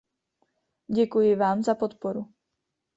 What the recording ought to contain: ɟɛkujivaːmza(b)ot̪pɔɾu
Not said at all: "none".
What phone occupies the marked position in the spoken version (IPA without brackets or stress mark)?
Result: p